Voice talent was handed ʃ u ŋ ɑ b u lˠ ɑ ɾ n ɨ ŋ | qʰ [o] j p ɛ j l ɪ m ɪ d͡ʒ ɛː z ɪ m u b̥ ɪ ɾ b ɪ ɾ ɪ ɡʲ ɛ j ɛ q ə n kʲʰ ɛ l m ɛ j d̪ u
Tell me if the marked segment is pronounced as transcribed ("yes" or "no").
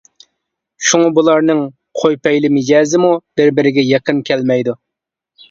yes